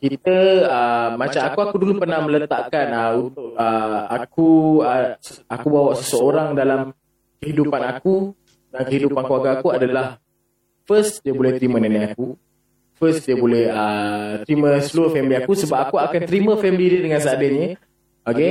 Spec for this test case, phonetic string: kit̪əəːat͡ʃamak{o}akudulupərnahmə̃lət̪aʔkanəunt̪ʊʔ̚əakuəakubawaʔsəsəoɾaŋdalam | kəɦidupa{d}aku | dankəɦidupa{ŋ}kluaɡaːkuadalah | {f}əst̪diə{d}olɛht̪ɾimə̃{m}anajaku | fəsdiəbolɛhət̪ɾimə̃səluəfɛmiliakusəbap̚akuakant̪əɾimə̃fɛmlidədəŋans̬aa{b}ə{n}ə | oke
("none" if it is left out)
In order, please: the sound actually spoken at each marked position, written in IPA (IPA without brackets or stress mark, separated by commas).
u, n, n, f, b, n, d, ɲ